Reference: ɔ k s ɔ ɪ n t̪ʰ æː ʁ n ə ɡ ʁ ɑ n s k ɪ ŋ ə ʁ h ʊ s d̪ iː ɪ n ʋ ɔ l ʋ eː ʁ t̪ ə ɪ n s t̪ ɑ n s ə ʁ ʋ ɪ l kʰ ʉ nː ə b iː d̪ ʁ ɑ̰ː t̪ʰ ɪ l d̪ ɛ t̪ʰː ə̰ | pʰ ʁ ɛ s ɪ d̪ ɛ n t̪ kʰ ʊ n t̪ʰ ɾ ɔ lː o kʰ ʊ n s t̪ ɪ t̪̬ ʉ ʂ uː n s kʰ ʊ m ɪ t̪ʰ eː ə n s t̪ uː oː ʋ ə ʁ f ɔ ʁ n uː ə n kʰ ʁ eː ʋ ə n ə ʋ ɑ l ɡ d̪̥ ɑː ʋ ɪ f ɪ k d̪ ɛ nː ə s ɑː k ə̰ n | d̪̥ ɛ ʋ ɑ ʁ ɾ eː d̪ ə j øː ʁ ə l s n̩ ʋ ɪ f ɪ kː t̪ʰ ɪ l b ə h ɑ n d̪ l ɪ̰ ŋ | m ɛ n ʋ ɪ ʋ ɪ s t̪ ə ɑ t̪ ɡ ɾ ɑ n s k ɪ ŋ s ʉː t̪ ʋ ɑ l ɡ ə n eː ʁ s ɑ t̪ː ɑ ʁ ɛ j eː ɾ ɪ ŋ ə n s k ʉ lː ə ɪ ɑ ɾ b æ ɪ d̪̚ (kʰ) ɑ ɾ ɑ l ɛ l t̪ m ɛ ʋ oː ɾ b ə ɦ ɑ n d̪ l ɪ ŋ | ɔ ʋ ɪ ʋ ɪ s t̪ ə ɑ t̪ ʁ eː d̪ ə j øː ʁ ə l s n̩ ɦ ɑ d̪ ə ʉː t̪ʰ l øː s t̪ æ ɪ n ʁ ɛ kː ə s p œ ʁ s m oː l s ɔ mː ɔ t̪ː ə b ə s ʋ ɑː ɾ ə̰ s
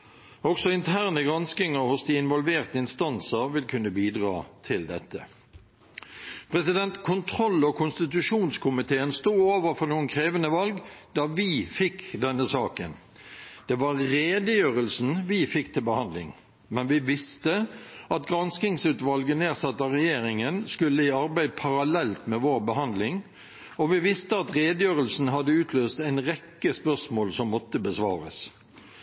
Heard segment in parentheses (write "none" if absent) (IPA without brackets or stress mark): pʰ